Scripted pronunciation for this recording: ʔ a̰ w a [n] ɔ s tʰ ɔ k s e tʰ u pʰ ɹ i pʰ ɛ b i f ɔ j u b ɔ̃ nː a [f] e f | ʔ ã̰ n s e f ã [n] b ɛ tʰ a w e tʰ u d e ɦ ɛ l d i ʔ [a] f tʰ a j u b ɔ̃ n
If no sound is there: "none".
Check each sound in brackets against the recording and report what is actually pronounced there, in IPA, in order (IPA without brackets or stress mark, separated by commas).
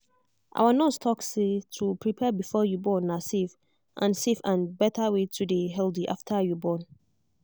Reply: n, s, n, a